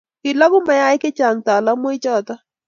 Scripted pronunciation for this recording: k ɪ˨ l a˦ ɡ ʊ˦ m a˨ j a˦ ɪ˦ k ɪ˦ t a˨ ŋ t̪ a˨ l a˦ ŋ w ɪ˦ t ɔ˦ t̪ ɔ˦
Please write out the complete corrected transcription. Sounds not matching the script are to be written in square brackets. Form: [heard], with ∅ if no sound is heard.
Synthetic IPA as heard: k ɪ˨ l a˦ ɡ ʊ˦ m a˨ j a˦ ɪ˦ k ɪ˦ [t͡ʃ] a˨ ŋ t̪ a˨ l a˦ [m] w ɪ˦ [t͡ʃ] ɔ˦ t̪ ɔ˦